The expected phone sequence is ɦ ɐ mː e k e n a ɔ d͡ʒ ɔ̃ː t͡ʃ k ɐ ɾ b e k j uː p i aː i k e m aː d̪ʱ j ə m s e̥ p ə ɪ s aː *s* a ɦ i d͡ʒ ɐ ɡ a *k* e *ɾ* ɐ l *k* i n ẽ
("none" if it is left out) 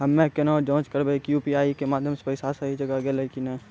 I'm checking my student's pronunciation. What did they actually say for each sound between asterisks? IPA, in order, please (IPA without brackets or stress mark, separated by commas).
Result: s, ɡ, l, k